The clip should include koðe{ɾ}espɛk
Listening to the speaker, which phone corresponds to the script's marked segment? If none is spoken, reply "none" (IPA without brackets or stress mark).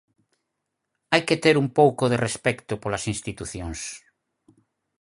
r